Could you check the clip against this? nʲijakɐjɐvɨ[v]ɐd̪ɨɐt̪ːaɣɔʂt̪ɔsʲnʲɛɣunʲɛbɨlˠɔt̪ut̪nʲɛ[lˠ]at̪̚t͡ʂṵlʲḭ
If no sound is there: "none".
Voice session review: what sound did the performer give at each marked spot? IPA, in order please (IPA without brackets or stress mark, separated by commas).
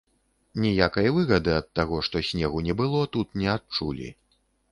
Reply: ɣ, none